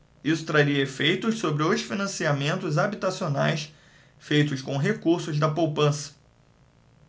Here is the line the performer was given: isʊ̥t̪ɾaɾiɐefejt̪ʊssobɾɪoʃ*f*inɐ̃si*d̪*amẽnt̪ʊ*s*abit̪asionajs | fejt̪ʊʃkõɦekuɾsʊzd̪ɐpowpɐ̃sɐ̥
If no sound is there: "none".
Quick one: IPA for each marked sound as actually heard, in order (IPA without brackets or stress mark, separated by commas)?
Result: f, none, z